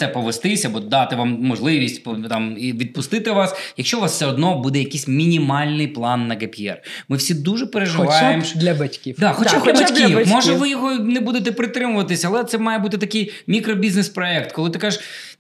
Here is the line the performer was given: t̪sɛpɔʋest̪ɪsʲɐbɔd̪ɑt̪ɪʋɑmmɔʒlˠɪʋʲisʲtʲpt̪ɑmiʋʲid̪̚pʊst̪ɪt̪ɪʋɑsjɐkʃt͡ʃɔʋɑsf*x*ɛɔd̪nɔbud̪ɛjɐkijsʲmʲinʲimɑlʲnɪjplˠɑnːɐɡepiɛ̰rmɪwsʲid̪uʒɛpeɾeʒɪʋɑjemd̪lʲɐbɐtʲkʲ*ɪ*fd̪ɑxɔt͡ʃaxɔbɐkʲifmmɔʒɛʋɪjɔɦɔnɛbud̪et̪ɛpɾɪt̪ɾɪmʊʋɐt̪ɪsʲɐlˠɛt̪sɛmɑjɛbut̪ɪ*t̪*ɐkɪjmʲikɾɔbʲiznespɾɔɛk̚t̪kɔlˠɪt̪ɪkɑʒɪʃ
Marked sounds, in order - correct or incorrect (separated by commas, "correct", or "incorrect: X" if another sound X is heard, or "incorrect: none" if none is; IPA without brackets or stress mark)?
incorrect: s, incorrect: i, correct